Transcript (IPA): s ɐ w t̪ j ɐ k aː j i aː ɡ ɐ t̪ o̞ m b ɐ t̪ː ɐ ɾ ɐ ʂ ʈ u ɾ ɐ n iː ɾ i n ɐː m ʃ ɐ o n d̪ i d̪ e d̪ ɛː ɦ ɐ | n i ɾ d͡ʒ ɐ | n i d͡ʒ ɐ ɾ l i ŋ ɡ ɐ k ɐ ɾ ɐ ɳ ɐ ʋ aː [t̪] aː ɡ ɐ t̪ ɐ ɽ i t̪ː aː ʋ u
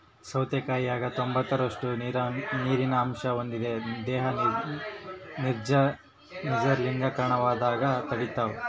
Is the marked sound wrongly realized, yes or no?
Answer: yes